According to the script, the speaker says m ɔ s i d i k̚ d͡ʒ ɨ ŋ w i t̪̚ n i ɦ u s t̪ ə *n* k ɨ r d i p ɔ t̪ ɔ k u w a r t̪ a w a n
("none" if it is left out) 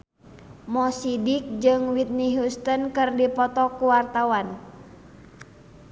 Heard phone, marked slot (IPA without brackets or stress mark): n